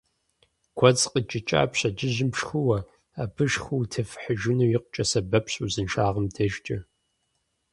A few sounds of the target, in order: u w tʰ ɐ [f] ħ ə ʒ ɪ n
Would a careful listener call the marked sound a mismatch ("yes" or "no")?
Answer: no